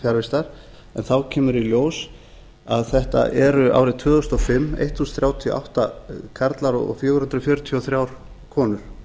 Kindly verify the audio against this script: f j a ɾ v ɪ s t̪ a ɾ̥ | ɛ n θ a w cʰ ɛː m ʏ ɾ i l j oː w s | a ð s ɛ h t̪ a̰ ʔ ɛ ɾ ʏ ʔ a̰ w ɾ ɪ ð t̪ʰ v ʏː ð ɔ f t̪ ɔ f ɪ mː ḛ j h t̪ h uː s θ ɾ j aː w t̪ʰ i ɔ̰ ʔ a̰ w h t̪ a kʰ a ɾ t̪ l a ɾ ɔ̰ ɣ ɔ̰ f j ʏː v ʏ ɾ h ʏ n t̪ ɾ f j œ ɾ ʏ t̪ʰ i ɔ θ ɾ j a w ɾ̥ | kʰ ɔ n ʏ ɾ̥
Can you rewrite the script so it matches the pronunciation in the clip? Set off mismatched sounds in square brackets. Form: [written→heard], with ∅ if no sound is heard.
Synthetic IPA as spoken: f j a ɾ v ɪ s t̪ a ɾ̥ | ɛ n θ a w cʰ ɛː m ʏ ɾ i l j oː w s | a ð [s→θ] ɛ h t̪ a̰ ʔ ɛ ɾ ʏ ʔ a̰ w ɾ ɪ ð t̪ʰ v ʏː ð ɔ [f→s] t̪ ɔ f ɪ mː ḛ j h t̪ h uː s θ ɾ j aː w t̪ʰ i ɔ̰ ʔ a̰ w h t̪ a kʰ a ɾ t̪ l a ɾ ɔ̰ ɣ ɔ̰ f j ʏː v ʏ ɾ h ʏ n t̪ ɾ f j œ ɾ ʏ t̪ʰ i ɔ θ ɾ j a w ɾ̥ | kʰ [ɔ→ɔː] n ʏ ɾ̥